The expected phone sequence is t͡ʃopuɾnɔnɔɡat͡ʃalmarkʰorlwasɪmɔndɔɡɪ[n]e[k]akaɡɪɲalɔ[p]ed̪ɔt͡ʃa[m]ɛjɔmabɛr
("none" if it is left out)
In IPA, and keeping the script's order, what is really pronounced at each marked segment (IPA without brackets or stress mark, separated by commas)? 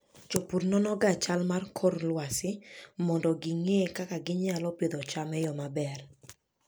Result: ŋ, k, p, m